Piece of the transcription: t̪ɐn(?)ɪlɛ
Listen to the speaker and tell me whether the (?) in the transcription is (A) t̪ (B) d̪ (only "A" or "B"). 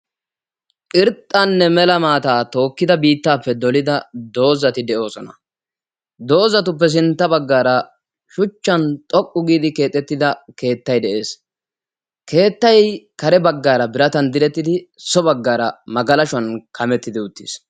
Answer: B